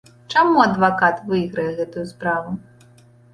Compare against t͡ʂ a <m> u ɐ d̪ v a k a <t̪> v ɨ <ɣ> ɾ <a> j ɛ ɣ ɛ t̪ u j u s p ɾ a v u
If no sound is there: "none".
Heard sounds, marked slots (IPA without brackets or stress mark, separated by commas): m, t̪, ɣ, ɐ